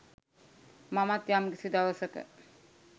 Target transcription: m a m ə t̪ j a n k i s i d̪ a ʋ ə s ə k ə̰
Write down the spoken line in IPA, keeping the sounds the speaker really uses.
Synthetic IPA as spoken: m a m a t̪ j a m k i s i d̪ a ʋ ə s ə k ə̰